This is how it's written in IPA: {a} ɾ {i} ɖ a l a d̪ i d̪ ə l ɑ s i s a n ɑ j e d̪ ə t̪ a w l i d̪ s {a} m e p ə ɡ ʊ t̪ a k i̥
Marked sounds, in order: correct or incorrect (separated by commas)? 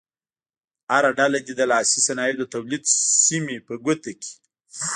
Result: correct, incorrect, incorrect